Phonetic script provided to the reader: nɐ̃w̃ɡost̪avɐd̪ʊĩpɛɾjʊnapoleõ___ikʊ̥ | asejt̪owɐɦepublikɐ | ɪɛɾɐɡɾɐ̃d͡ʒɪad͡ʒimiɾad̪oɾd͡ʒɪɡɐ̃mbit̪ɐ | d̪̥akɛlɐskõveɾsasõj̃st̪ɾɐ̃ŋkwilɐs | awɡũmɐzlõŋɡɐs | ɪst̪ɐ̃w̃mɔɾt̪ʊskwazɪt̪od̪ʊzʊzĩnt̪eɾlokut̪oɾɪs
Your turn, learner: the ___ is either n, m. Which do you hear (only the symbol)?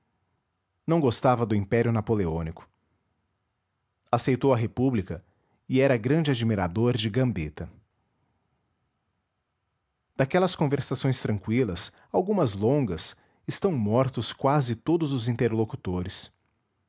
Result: n